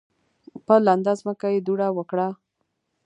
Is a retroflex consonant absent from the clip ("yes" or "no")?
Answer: no